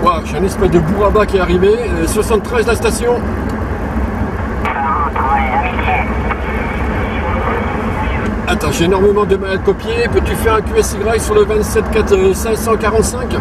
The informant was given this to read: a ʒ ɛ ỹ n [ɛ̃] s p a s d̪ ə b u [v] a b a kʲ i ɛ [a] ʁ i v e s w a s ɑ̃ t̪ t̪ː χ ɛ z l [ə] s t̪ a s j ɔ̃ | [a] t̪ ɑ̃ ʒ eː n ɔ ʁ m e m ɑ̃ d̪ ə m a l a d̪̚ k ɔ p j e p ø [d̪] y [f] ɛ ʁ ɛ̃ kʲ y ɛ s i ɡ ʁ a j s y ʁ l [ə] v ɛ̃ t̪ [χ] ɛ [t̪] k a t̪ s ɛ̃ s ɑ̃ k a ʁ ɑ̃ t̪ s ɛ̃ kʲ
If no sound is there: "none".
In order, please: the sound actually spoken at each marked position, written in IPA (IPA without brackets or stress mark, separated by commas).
ɛ, ʁ, a, a, a, t̪, f, ə, s, t̪